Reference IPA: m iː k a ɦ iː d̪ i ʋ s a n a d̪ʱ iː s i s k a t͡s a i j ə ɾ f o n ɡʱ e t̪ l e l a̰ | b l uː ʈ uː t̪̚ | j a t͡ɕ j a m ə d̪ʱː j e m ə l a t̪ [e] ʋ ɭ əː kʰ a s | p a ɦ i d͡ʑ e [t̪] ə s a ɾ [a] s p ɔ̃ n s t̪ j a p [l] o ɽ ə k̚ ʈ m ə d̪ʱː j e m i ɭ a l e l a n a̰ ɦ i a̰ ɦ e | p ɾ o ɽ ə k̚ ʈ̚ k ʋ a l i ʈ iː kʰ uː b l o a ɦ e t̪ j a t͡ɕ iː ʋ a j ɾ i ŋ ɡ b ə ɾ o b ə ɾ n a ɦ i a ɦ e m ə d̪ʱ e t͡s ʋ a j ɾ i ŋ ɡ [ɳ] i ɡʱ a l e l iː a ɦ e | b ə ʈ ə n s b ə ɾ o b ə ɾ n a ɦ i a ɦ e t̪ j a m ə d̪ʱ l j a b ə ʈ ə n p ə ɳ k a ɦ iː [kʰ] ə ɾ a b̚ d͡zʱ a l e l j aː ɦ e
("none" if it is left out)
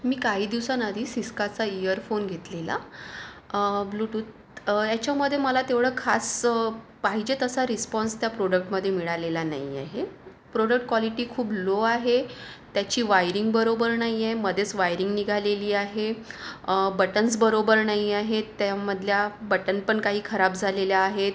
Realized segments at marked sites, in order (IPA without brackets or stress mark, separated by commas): e, t̪, i, ɾ, n, kʰ